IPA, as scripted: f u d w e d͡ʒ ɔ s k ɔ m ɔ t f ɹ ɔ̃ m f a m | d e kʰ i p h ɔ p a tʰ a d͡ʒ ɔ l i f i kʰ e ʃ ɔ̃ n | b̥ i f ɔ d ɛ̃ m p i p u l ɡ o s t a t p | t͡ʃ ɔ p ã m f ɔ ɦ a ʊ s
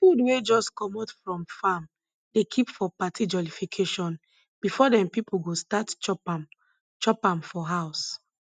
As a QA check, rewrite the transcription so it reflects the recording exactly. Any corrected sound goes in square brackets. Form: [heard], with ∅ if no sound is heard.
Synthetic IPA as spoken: f u d w e d͡ʒ ɔ s k ɔ m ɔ t f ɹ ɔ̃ m f a m | d e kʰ i p [f] ɔ p a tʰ [i] d͡ʒ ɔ l i f i kʰ e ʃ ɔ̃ n | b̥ i f ɔ d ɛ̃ m p i p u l ɡ o s t a t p | t͡ʃ ɔ p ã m f ɔ ɦ a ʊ s